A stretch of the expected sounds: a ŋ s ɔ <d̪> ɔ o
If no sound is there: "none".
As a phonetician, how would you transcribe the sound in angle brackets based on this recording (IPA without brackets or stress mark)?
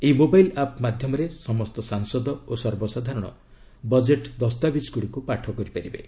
d̪